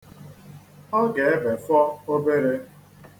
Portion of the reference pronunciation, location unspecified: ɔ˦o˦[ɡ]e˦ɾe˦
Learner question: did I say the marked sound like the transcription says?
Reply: no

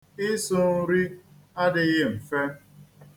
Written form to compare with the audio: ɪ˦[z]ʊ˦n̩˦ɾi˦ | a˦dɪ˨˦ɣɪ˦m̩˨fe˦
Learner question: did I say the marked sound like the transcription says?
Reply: no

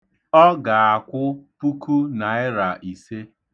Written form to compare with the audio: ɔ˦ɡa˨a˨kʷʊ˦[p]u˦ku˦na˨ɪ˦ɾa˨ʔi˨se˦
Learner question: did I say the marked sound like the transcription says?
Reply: yes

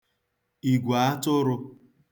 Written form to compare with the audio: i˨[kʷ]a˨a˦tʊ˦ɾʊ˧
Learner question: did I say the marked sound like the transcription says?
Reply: no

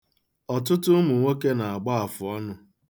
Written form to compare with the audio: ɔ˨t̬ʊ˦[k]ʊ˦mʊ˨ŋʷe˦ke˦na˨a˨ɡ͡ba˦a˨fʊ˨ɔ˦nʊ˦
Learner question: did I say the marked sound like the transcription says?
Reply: no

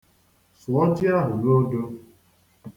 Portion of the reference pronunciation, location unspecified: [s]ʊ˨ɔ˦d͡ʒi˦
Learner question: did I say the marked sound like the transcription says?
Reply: yes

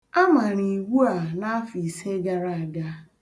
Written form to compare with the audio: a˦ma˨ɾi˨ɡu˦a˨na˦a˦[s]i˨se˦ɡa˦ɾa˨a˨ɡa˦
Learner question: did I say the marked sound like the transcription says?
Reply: no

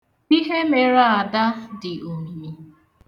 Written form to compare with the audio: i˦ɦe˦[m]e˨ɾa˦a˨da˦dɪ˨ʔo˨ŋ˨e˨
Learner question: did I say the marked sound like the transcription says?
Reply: yes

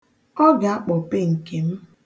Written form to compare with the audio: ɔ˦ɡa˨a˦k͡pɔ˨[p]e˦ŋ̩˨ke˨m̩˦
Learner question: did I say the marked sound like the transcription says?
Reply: yes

